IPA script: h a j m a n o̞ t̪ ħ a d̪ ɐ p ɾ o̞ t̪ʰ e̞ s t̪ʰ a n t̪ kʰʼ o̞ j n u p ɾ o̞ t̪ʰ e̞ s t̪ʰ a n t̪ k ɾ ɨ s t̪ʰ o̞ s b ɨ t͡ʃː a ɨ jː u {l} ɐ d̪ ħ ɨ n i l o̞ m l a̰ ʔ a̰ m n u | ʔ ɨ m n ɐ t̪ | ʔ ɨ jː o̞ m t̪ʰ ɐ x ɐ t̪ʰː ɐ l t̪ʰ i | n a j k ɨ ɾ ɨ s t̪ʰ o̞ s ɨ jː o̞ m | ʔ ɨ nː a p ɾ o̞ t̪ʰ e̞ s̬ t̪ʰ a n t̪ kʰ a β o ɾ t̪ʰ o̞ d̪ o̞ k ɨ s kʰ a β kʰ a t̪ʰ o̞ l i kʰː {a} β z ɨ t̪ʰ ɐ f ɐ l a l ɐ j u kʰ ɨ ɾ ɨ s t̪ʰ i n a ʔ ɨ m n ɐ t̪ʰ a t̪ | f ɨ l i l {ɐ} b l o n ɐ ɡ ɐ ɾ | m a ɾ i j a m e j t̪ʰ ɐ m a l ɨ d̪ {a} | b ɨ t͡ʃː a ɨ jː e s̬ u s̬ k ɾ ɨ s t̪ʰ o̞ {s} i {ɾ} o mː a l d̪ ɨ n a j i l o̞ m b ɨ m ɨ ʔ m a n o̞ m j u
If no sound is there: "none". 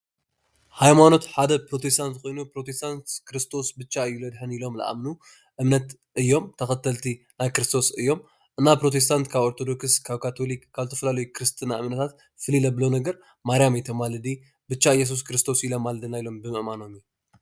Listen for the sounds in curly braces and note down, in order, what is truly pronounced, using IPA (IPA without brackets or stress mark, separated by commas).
l, a, ɐ, i, s, l